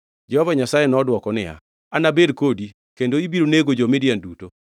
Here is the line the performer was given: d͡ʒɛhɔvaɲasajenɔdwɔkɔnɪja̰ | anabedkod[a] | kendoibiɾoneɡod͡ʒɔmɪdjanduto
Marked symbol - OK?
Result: no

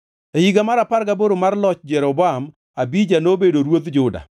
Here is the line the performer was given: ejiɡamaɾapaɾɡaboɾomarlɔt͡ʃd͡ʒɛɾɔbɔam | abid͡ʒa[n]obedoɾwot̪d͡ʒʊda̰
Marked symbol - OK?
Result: yes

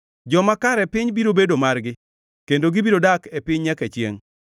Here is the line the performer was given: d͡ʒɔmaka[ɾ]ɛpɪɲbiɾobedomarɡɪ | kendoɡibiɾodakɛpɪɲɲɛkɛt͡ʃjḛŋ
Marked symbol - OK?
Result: yes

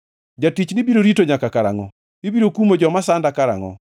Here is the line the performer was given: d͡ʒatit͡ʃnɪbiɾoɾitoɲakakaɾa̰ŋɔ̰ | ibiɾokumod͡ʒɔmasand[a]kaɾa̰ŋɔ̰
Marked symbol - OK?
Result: yes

